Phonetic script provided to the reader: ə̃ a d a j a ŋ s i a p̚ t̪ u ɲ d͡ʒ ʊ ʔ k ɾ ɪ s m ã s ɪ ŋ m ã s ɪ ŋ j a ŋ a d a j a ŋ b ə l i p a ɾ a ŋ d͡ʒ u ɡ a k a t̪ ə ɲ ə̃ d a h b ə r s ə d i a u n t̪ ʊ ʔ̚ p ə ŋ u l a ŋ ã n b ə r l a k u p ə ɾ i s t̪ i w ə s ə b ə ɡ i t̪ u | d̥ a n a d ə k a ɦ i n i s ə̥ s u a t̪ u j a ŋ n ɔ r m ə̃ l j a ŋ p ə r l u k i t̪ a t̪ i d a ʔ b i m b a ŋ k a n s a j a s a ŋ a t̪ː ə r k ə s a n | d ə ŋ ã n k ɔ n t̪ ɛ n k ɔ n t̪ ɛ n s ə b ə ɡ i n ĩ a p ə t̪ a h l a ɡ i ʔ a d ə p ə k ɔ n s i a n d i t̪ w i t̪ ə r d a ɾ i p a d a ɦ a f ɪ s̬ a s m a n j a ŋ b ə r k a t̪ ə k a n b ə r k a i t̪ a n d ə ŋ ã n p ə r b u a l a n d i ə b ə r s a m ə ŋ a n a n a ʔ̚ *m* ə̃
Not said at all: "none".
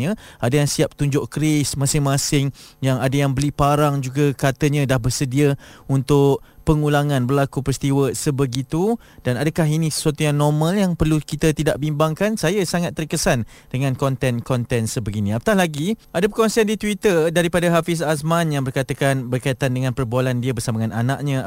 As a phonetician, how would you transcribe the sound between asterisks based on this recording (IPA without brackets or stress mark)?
ɲ